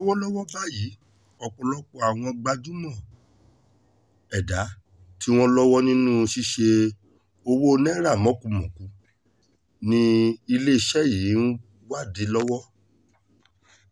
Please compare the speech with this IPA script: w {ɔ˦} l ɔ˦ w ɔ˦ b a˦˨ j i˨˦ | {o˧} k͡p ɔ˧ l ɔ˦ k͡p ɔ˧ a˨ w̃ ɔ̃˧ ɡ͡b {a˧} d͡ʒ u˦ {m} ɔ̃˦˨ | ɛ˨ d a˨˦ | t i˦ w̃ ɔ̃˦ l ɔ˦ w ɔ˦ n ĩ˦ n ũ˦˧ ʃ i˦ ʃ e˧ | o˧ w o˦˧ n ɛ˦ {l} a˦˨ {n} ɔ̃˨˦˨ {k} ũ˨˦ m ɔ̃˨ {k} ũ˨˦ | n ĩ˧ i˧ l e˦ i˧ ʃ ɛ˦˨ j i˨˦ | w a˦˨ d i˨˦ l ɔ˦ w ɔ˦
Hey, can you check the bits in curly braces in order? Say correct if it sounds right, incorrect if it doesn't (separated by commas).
correct, incorrect, correct, correct, incorrect, incorrect, correct, correct